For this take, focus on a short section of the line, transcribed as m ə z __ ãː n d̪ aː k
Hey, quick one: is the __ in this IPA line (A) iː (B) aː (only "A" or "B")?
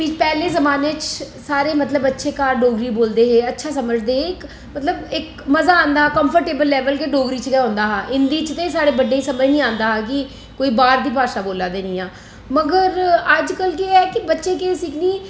B